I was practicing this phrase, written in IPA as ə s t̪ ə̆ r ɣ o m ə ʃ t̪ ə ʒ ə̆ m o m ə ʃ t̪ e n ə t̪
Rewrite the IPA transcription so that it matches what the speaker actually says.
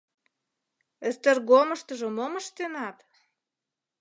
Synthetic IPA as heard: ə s t̪ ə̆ r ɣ o m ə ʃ t̪ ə ʒ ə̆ m o m ə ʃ t̪ e n ɑ t̪